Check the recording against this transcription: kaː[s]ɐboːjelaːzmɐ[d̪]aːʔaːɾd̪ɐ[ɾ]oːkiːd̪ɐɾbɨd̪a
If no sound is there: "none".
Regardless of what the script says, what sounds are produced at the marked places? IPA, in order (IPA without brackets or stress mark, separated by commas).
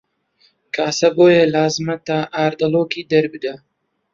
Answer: s, t̪, l